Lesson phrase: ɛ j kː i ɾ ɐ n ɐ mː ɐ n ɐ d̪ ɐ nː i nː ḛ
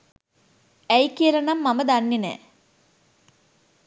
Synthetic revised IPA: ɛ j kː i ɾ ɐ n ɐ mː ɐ m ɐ d̪ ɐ nː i n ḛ